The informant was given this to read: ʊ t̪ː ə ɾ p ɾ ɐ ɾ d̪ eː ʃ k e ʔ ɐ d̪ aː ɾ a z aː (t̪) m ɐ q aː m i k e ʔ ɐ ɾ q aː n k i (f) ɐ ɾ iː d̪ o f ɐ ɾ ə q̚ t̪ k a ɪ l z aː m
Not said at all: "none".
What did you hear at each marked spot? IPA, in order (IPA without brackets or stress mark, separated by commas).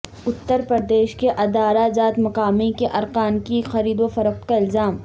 t̪, x